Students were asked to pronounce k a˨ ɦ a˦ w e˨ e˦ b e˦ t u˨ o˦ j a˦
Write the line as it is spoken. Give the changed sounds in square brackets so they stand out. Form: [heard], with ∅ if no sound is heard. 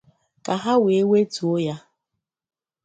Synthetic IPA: k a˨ ɦ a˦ w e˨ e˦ [w] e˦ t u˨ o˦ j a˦